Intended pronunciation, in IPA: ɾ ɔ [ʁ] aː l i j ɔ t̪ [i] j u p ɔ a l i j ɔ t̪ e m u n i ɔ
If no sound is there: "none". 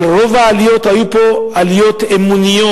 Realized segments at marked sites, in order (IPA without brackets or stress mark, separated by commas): v, a